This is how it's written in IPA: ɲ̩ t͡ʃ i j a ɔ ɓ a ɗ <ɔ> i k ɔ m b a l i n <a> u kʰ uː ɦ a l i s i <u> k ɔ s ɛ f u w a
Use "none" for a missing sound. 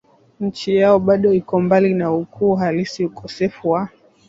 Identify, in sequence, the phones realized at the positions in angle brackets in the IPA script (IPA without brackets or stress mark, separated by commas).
ɔ, a, u